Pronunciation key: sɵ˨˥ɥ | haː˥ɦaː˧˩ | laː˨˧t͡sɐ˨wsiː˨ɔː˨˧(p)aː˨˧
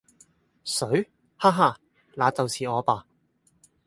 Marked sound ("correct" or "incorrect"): correct